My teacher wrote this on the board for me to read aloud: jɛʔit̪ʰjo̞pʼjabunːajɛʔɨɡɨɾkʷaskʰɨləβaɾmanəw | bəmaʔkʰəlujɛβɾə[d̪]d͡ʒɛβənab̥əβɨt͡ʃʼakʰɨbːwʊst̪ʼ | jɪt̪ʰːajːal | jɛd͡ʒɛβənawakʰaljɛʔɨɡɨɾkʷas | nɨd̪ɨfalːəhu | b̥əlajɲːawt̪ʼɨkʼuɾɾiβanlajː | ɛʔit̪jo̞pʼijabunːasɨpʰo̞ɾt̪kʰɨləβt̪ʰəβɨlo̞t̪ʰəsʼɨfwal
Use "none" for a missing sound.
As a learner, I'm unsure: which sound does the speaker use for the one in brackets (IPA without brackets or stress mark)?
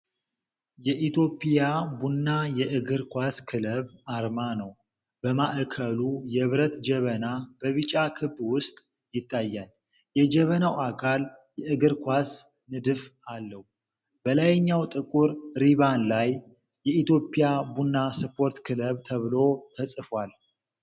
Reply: t̪